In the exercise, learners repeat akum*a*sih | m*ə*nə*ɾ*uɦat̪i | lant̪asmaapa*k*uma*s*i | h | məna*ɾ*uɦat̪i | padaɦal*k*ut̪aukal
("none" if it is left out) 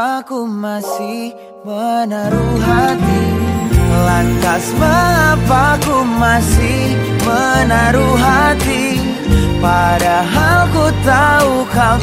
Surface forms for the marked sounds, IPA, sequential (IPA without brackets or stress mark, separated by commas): a, ə, ɾ, k, s, ɾ, k